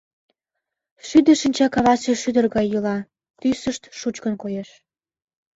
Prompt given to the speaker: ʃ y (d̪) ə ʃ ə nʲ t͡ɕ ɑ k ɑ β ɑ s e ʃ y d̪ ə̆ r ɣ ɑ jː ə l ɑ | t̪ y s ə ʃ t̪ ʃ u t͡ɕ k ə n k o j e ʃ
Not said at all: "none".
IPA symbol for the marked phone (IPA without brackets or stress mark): d̪